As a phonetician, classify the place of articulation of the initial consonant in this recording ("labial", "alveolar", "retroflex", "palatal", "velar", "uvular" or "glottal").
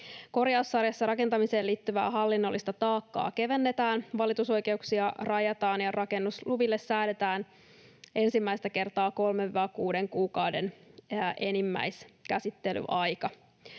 velar